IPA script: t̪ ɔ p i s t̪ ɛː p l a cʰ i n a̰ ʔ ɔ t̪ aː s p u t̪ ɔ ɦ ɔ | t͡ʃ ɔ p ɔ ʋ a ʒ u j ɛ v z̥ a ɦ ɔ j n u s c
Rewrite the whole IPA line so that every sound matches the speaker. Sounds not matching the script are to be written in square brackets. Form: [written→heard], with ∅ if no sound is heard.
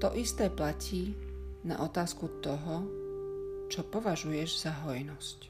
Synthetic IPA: t̪ ɔ [p→ʔ] i s t̪ ɛː p l a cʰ [i→iː] n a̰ ʔ ɔ t̪ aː s [p→k] u t̪ ɔ ɦ ɔ | t͡ʃ ɔ p ɔ ʋ a ʒ u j ɛ [v→ʒ] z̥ a ɦ ɔ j n [u→ɔ] s c